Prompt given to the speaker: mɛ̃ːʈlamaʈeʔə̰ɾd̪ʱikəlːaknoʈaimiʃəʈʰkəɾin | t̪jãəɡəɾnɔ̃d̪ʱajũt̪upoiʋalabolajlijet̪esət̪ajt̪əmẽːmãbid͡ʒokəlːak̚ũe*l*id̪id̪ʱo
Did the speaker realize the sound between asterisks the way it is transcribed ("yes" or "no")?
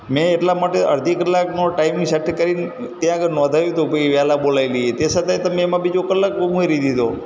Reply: no